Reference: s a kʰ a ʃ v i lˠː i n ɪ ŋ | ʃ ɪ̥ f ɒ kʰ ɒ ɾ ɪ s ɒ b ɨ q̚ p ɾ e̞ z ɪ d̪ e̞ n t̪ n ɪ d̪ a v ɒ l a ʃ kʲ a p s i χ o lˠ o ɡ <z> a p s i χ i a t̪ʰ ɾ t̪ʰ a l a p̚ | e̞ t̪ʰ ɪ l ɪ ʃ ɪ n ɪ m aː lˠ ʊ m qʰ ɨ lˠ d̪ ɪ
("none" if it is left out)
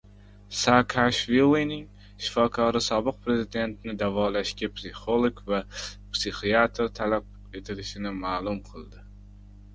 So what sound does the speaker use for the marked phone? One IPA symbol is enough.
v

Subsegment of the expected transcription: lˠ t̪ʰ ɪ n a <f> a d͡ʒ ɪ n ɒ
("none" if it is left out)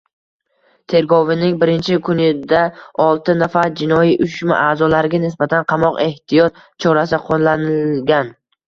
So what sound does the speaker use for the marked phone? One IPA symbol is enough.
f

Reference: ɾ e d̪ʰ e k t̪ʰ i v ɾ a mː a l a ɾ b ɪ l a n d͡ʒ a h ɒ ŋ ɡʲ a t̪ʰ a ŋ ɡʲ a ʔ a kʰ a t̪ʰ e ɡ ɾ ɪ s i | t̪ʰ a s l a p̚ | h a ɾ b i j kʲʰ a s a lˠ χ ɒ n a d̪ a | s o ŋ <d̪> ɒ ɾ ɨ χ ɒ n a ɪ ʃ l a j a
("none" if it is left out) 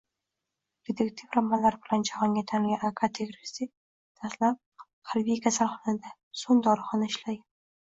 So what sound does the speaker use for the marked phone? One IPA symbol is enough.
d̪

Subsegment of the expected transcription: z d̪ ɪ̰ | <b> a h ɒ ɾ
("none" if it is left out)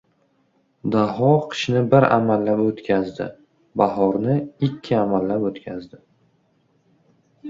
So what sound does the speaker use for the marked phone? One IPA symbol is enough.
b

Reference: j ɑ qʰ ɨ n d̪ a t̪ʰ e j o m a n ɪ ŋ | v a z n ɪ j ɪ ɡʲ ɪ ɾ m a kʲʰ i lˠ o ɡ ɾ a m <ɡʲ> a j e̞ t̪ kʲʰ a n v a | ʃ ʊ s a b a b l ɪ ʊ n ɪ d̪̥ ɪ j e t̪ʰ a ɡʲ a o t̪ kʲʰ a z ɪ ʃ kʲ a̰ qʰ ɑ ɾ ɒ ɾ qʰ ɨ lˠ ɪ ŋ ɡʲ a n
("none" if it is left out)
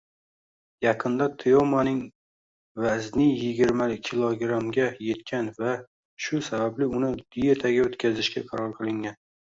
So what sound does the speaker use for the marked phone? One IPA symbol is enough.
ɡʲ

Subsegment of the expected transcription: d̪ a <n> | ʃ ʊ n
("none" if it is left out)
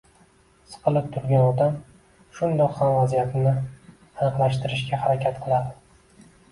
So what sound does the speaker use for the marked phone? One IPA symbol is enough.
m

